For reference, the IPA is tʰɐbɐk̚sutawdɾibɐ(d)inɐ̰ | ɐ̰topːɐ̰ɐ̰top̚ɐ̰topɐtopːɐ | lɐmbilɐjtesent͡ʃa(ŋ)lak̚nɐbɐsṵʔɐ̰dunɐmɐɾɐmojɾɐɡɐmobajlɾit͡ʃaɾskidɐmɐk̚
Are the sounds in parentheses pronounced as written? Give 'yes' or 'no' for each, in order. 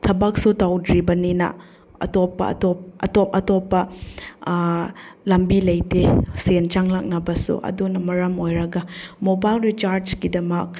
no, yes

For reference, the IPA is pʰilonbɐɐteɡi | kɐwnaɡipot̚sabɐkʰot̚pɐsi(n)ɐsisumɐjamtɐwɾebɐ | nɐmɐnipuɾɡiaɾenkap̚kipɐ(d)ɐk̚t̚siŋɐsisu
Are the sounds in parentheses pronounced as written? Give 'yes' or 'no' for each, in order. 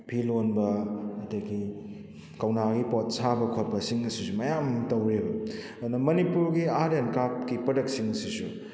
no, yes

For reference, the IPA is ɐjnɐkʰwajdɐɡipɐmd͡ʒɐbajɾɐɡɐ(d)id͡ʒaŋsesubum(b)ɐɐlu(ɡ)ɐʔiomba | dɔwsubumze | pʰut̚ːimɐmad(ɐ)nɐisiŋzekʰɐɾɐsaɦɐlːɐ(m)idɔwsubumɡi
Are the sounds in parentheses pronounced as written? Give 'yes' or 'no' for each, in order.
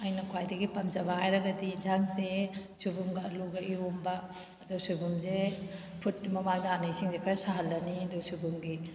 yes, no, yes, no, no

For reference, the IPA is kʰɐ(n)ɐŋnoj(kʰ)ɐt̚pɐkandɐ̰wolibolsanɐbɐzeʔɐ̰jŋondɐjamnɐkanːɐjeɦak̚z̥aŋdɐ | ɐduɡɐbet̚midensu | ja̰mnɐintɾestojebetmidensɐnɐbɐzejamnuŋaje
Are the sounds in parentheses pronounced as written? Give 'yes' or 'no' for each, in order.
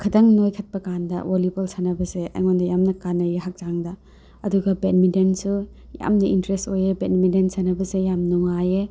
no, yes

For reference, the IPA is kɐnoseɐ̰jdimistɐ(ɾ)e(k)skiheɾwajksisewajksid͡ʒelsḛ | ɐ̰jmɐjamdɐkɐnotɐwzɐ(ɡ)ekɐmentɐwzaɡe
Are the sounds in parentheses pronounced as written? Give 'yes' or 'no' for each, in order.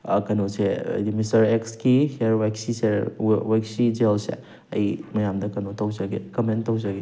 yes, yes, yes

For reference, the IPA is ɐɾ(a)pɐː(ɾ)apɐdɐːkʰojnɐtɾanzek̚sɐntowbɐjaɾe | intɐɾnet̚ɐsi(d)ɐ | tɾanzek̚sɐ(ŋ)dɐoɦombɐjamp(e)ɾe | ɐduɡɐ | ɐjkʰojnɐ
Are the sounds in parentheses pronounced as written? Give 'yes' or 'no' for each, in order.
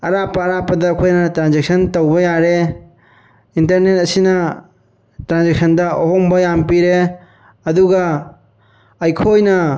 yes, yes, no, no, no

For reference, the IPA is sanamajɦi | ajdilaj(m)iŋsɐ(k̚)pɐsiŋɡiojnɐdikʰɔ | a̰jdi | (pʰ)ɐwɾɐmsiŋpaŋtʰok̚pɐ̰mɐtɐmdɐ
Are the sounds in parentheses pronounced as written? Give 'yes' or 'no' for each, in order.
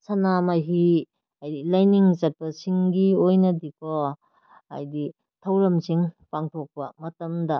no, no, no

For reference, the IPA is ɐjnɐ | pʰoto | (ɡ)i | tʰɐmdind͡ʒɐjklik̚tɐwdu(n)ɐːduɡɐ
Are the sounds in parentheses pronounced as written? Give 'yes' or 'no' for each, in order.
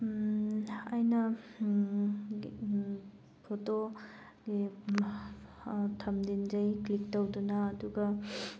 yes, yes

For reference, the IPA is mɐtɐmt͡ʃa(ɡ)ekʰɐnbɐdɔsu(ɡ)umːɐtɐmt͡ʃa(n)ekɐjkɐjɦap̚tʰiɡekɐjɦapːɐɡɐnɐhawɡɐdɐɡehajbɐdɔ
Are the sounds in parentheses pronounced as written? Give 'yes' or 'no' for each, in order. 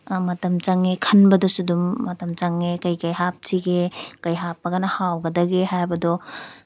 no, no, no

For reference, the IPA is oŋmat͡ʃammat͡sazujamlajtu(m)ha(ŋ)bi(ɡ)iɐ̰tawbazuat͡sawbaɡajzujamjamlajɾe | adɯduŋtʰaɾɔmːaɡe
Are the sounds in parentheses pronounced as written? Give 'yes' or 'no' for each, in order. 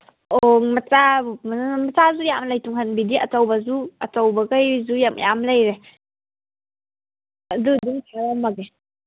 no, no, no

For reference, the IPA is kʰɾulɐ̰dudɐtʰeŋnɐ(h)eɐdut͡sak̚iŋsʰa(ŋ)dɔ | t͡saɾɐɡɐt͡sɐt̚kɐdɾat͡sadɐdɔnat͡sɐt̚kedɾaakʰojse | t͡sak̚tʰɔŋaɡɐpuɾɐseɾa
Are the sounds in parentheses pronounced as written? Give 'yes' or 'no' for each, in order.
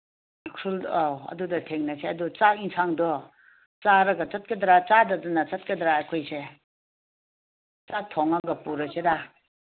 no, yes

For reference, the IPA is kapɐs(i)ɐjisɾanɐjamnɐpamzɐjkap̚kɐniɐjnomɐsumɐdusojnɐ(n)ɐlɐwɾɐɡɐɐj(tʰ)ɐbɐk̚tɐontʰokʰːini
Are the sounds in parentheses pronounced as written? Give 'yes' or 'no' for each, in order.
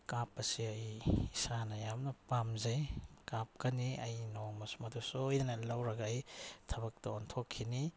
yes, yes, yes

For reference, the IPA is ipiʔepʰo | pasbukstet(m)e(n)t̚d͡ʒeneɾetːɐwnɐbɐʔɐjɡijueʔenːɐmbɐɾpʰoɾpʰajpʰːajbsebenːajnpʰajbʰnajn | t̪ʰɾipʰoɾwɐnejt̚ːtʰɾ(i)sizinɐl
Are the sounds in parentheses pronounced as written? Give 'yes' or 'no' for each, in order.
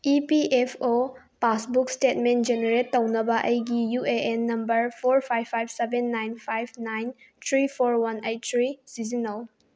yes, yes, yes

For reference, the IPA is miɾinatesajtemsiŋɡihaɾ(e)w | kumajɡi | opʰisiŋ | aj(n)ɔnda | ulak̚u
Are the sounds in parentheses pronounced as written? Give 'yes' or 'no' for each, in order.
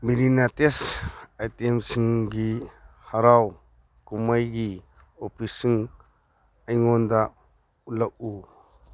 no, no

